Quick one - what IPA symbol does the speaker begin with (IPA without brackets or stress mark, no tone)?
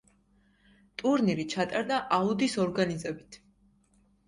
t̪ʼ